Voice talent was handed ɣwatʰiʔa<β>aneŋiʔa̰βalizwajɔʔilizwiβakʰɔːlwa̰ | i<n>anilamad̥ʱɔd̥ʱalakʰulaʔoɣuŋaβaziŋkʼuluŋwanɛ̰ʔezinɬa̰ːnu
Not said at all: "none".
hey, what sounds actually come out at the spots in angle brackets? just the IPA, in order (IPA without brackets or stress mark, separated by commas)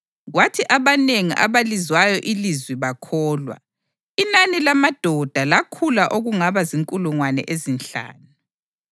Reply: β, n